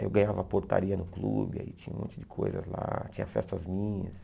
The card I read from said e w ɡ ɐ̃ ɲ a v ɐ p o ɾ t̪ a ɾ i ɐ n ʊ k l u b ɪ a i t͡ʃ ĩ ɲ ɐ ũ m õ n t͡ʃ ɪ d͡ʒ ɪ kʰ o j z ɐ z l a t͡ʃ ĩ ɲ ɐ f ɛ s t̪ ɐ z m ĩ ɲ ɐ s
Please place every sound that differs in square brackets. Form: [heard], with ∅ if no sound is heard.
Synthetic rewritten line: e w ɡ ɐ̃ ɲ a v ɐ p o ɾ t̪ a ɾ i ɐ n ʊ k l u b ɪ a i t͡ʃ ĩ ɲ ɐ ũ m õ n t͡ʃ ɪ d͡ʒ ɪ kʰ o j z ɐ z l a t͡ʃ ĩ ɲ ɐ f ɛ s t̪ ɐ z m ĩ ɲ ɐ s